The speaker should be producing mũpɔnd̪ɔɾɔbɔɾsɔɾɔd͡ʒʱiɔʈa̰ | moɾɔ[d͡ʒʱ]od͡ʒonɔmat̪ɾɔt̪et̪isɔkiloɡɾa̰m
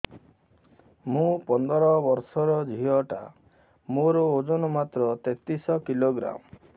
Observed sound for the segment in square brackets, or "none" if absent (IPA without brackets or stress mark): none